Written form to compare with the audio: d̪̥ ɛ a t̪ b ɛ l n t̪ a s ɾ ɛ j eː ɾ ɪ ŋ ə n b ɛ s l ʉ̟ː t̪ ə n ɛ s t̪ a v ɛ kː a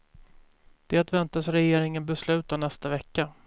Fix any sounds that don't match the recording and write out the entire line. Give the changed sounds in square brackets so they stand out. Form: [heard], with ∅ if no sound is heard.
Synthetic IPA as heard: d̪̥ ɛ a t̪ [v] ɛ [∅] n t̪ a s ɾ ɛ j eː ɾ ɪ ŋ ə n b ɛ s l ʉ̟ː t̪ [a] n ɛ s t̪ a v ɛ kː a